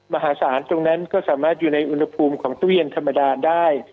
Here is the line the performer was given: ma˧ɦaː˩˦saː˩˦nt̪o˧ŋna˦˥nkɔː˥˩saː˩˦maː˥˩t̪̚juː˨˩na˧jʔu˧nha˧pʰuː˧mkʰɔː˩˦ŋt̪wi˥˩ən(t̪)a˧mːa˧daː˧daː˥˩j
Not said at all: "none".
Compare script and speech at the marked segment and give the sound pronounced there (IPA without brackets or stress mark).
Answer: t̪ʰ